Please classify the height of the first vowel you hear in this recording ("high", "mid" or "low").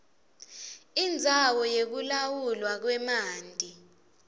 high